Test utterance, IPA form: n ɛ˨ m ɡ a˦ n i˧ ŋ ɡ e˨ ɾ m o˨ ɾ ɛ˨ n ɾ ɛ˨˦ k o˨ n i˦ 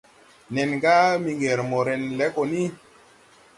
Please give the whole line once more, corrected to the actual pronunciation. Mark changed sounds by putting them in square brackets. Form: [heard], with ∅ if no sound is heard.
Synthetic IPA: n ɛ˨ [n] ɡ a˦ [m] i˧ ŋ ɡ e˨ ɾ m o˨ ɾ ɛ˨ n [l] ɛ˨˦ k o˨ n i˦